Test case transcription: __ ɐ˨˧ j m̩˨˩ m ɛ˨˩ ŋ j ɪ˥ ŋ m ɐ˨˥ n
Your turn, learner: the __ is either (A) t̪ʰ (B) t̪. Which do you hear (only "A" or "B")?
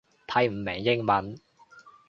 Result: A